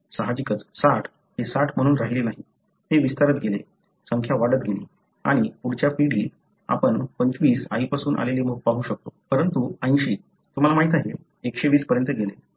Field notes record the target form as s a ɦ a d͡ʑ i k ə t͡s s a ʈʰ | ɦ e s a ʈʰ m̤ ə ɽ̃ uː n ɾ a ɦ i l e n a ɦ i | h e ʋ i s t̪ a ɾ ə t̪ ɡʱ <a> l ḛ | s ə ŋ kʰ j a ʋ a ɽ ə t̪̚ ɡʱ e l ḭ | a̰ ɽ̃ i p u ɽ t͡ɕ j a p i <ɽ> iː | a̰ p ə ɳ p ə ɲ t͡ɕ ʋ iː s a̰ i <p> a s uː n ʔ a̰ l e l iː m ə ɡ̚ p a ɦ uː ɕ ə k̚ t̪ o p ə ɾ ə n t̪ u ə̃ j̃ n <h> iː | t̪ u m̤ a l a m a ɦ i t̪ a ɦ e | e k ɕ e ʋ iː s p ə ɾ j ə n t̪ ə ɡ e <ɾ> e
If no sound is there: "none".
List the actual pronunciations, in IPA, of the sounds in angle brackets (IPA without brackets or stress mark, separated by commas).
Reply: e, ɽ, p, ɕ, l